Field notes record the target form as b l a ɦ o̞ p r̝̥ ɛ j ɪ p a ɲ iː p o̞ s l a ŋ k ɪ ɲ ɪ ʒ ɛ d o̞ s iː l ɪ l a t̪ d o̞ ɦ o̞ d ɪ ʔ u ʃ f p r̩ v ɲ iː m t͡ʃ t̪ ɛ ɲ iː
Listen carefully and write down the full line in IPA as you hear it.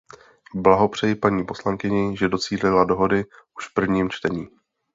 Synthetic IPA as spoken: b l a ɦ o̞ p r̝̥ ɛ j ɪ p a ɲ iː p o̞ s l a ŋ k ɪ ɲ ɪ ʒ ɛ d o̞ t͡s iː l ɪ l a d o̞ ɦ o̞ d ɪ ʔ u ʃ f p r̩ v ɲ iː m t͡ʃ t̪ ɛ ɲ iː